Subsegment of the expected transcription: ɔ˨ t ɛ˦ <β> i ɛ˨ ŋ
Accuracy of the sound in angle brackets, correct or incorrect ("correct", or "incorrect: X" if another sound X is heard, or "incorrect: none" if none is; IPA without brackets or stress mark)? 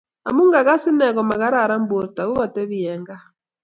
correct